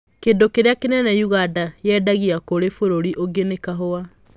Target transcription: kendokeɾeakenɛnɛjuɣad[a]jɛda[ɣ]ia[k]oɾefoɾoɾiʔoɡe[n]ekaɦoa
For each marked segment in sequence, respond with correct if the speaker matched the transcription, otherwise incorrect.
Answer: correct, correct, correct, correct

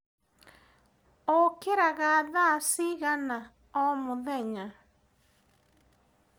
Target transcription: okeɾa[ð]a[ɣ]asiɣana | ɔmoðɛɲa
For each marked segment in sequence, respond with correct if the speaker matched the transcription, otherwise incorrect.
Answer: incorrect: ɣ, incorrect: ð

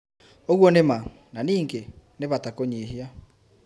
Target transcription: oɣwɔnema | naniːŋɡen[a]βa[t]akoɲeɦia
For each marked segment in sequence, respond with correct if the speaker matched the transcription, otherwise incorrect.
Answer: incorrect: e, correct

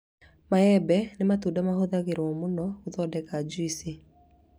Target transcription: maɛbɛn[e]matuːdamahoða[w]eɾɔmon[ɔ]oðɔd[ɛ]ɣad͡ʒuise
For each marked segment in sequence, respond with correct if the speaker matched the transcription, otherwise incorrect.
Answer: correct, incorrect: ɣ, correct, correct

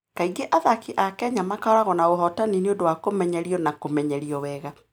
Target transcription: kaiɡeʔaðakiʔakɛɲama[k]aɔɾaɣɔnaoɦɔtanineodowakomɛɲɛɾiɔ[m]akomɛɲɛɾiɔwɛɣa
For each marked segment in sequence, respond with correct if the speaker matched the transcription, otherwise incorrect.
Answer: correct, incorrect: n

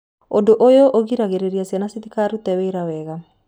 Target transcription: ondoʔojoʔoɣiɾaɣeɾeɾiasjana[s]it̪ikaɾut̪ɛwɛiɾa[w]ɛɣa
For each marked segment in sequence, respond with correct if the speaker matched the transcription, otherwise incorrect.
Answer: correct, correct

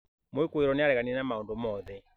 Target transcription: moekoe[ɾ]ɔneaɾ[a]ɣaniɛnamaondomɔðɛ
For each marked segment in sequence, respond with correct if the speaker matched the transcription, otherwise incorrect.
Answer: correct, incorrect: ɛ

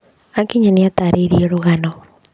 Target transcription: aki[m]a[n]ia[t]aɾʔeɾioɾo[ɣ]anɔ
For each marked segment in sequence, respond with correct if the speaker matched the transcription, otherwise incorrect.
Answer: incorrect: ɲ, correct, correct, correct

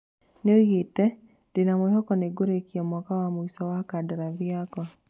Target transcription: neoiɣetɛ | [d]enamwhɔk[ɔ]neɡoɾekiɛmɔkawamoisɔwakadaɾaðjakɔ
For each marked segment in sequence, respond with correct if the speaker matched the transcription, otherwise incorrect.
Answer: correct, correct

